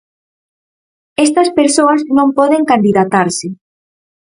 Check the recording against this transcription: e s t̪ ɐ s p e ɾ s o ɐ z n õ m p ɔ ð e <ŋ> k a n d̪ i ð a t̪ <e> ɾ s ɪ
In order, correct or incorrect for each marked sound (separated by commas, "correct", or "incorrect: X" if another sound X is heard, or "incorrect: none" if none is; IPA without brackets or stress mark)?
correct, incorrect: a